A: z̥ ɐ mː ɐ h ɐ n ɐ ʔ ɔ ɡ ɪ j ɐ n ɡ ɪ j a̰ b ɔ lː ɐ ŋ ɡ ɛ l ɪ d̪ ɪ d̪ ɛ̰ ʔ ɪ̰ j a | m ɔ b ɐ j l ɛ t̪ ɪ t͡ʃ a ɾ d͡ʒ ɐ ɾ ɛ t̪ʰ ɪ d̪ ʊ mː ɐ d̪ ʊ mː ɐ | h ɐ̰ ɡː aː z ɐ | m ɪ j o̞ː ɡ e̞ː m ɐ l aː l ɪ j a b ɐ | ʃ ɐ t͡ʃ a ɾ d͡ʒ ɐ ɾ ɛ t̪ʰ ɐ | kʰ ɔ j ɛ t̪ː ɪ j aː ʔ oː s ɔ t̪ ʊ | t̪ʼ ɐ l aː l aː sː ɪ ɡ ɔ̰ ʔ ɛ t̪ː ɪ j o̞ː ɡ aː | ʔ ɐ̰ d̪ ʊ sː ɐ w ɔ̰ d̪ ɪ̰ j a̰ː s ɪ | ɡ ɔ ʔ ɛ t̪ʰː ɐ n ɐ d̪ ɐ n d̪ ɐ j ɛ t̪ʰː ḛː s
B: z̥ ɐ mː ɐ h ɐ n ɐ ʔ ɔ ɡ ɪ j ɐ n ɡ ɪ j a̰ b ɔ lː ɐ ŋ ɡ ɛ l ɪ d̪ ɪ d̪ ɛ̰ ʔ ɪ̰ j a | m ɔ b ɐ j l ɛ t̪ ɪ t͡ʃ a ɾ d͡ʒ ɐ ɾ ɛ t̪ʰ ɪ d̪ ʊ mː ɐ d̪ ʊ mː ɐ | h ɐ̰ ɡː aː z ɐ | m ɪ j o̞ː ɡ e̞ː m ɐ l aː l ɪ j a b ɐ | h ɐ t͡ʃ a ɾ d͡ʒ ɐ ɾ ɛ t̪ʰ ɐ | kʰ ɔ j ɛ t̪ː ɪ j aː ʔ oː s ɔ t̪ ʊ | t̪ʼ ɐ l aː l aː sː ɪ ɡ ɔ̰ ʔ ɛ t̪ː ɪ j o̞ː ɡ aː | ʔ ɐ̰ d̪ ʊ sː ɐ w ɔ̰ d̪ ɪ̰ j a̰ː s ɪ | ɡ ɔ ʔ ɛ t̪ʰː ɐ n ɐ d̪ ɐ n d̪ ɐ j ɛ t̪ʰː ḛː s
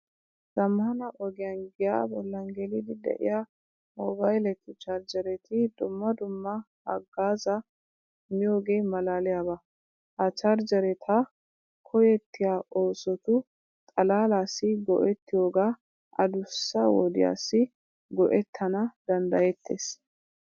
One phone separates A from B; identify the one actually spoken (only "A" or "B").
B